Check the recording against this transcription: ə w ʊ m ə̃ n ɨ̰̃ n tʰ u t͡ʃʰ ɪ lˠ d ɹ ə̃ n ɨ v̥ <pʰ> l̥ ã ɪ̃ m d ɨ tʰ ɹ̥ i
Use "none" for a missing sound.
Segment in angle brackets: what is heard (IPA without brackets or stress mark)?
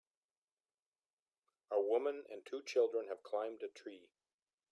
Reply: kʰ